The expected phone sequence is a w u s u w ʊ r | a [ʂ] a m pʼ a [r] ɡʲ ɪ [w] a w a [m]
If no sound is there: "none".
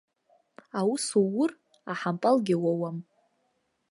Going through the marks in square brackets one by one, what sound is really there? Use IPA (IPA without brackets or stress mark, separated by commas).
ħ, l, w, m